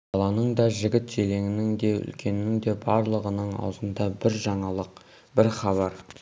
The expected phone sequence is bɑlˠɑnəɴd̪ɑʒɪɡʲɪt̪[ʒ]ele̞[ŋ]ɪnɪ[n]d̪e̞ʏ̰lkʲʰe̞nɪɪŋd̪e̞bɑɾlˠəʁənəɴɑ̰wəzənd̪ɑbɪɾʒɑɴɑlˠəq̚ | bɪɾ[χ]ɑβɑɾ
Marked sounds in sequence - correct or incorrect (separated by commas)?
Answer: correct, correct, incorrect, correct